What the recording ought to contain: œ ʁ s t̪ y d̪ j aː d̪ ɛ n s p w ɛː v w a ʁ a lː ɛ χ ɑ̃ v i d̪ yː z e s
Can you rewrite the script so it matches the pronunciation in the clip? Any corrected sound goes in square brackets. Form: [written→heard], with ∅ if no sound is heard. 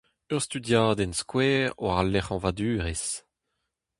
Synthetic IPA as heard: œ ʁ s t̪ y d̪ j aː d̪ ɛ n s [p→k] w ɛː [v→ʁ] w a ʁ a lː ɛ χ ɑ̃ v [i→a] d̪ yː [z→ʁ] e s